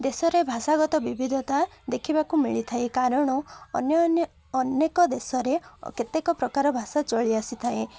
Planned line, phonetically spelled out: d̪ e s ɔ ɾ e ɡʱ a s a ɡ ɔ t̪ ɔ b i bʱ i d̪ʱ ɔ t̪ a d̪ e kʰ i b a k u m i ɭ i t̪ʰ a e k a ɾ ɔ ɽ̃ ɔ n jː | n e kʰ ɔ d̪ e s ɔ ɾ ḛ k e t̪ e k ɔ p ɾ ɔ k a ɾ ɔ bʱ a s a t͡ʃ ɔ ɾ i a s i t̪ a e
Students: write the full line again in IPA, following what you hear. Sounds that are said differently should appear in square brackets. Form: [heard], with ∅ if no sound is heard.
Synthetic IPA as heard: d̪ e s ɔ ɾ e [bʱ] a s a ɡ ɔ t̪ ɔ b i bʱ i d̪ʱ ɔ t̪ a d̪ e kʰ i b a k u m i ɭ i t̪ʰ a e k a ɾ ɔ ɽ̃ ɔ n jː | n e [k] ɔ d̪ e s ɔ ɾ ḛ k e t̪ e k ɔ p ɾ ɔ k a ɾ ɔ bʱ a s a t͡ʃ ɔ [ɭ] i a s i [t̪ʰ] a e